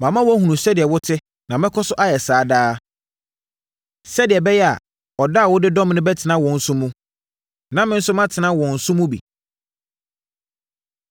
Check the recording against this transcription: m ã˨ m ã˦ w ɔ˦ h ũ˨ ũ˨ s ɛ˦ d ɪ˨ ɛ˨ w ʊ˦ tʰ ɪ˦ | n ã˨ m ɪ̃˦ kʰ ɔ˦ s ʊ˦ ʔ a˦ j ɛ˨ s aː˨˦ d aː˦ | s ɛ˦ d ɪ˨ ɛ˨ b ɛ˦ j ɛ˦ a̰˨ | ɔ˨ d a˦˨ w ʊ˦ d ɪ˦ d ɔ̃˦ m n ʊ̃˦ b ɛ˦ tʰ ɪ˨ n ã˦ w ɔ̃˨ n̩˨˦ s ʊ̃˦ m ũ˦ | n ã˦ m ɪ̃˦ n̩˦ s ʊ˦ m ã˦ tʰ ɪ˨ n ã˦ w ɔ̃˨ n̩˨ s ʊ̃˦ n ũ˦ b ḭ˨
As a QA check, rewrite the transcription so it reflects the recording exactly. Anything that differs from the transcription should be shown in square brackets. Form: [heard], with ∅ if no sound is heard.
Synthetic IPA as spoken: m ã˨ m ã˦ w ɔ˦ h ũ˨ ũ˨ s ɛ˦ d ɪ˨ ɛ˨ w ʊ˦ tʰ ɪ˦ | n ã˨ m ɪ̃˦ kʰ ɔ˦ s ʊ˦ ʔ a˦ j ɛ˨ s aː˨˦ d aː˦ | s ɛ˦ d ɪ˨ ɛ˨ b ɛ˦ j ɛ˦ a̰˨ | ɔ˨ d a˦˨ w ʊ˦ d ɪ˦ d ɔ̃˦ m n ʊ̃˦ b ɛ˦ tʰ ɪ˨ n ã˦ w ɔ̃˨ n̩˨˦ s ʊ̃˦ m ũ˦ | n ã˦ m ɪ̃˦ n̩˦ s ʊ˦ m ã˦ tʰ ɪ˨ n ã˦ w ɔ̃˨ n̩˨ s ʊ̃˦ [m] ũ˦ b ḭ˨

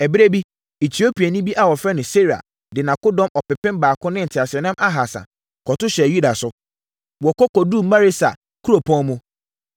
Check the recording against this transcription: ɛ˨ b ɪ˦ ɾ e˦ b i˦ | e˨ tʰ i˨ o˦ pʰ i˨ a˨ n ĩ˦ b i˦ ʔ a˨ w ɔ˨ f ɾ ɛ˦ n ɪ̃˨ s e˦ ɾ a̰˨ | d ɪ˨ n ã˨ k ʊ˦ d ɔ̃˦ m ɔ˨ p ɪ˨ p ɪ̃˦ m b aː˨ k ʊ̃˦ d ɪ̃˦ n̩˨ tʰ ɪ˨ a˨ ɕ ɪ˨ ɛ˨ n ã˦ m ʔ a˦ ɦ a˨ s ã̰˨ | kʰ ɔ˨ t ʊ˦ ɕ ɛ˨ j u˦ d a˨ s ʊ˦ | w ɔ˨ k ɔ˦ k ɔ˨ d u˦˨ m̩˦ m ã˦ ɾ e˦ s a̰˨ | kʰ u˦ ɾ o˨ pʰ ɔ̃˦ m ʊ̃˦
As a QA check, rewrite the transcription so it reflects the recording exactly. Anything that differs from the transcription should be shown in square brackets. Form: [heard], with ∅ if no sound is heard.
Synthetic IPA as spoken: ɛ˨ b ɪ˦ ɾ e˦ b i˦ | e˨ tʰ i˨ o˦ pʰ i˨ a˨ n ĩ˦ b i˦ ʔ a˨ w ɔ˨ f ɾ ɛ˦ n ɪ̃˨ s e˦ ɾ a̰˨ | d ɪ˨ n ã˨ k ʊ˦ d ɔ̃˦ m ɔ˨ p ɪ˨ p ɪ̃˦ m b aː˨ k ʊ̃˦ [n] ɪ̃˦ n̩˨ tʰ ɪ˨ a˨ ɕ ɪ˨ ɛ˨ n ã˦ m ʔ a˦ ɦ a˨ s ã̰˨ | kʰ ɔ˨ t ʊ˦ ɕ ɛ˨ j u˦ d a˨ s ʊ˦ | w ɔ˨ k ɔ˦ k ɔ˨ d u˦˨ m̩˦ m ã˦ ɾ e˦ s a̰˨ | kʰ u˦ ɾ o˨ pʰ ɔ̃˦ m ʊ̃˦

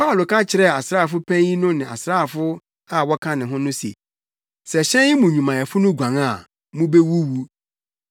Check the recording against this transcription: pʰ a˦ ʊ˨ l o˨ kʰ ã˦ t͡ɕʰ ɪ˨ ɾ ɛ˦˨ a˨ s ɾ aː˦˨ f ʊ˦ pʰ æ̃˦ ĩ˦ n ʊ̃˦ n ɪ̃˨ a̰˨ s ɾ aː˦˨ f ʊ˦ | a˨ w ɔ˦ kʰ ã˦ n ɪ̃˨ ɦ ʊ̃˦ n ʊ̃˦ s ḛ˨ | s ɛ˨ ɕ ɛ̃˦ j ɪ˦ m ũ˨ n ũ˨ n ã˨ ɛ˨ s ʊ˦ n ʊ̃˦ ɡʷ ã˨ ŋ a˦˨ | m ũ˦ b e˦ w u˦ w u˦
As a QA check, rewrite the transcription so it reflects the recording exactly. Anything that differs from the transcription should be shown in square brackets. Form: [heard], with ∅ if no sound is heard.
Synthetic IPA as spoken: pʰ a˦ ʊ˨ l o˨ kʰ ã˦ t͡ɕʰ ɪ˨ ɾ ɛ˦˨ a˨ s ɾ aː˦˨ f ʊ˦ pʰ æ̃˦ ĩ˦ n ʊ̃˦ n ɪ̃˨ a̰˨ s ɾ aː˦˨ f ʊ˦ | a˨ w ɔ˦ kʰ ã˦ n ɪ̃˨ ɦ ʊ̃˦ n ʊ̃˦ s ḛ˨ | s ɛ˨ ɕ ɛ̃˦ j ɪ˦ m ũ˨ [ɲ] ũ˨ [m] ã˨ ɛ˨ [f] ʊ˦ n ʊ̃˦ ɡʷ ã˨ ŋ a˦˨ | m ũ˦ b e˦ w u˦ w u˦

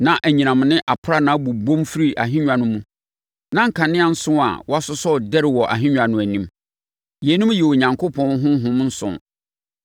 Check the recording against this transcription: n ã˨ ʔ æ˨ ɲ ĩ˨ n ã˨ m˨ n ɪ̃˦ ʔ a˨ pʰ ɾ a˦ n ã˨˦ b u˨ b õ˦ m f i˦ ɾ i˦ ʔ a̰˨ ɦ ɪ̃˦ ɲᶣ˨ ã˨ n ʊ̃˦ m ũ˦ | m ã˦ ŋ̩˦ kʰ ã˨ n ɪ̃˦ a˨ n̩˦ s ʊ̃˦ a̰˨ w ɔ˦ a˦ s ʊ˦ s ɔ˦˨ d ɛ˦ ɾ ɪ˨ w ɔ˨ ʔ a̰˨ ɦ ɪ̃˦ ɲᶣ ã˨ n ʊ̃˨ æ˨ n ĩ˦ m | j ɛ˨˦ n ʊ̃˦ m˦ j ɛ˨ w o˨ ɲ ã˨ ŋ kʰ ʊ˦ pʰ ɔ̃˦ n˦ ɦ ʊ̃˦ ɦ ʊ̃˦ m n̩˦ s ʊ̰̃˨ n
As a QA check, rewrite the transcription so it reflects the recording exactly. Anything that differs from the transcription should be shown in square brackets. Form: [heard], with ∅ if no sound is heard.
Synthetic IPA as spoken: n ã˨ ʔ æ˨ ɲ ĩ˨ n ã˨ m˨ n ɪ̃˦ ʔ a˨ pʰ ɾ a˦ n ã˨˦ b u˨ b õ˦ m f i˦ ɾ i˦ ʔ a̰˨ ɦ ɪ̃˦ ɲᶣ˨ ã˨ n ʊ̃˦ m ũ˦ | [n] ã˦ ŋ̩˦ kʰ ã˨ n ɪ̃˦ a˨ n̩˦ s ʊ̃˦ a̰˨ w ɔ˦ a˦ s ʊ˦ s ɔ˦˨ d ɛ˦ ɾ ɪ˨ w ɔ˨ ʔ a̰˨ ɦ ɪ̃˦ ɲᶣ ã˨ n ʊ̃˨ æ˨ n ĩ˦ m | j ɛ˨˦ n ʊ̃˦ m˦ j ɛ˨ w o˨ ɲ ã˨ ŋ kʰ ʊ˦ pʰ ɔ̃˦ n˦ ɦ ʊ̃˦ ɦ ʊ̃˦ m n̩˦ s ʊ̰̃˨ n

